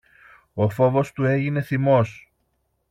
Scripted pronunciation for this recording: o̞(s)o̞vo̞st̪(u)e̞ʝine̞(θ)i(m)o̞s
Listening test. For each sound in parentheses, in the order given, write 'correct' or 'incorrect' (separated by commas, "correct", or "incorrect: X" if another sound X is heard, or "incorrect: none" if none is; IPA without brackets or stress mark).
incorrect: f, correct, correct, correct